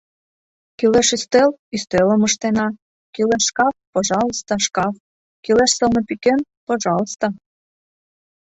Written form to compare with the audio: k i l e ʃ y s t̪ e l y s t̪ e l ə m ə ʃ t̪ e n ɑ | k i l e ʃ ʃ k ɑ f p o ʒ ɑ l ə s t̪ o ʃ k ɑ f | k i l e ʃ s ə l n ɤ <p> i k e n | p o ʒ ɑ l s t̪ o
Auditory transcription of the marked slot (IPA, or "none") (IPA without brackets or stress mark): p